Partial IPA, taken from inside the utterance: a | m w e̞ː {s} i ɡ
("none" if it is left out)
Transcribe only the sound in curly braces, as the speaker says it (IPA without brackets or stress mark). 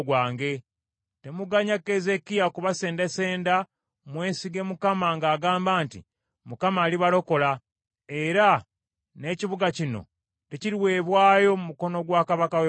s